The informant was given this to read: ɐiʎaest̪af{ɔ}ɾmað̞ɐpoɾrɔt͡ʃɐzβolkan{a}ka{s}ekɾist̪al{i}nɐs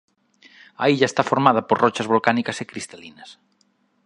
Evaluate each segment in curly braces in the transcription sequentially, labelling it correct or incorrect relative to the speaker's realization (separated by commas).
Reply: incorrect, incorrect, correct, correct